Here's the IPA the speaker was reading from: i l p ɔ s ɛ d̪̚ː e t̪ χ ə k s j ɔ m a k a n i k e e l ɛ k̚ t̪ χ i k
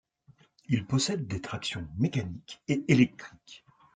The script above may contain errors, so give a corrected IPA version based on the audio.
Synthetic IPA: i l p ɔ s ɛ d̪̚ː e t̪ χ a k s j ɔ̃ m e k a n i k e e l ɛ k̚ t̪ χ i k